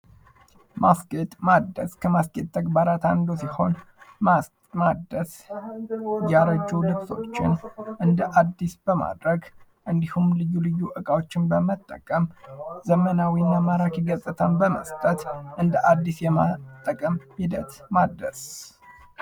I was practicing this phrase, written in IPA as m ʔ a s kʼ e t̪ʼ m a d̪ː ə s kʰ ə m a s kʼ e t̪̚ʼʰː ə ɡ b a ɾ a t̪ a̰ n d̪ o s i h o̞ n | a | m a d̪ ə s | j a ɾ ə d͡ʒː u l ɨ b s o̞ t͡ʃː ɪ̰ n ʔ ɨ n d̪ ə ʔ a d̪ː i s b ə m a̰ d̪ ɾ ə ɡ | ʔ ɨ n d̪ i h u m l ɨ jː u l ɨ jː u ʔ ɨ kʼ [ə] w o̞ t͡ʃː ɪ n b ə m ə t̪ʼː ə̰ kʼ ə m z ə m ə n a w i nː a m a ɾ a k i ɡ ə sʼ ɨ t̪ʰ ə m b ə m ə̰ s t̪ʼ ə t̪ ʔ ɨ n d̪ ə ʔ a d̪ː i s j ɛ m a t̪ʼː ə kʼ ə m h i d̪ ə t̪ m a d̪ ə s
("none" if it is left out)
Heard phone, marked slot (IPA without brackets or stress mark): a